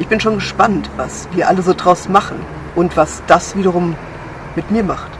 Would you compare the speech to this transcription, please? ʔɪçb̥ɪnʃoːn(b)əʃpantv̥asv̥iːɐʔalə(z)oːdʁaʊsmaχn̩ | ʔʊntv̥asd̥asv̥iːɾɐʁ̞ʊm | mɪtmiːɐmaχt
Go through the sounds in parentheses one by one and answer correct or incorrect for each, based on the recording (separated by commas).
incorrect, correct